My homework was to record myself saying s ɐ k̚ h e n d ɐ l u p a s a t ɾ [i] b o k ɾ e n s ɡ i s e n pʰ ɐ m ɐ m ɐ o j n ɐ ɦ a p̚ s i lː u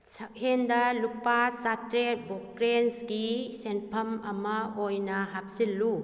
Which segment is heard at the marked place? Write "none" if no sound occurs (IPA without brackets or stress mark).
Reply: e